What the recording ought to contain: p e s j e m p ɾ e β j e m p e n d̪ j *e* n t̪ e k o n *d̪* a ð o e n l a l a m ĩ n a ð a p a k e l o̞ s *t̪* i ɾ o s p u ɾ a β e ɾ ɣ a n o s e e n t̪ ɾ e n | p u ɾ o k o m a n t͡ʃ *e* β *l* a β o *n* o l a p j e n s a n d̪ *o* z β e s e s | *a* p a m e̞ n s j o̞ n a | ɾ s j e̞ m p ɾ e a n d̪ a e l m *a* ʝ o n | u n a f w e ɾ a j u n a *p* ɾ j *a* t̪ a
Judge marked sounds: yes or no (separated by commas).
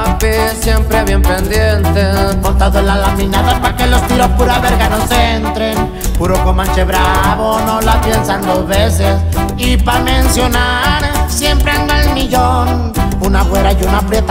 yes, no, yes, yes, no, yes, yes, no, no, yes, no